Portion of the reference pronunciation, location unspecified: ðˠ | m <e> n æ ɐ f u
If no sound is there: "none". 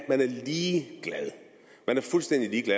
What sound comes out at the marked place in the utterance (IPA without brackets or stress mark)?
æ